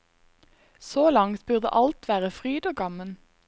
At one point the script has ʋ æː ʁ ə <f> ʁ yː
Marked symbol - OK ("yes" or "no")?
yes